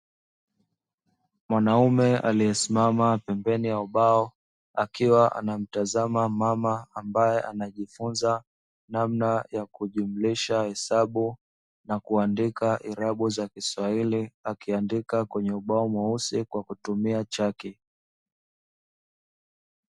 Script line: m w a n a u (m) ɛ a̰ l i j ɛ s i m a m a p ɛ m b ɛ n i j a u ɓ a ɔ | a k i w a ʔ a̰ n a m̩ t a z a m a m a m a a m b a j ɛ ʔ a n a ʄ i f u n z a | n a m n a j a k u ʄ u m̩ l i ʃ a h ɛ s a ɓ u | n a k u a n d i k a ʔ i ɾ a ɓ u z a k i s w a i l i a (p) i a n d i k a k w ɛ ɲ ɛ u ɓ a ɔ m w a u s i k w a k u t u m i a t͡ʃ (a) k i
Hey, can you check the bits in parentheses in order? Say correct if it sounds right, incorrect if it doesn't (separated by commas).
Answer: correct, incorrect, correct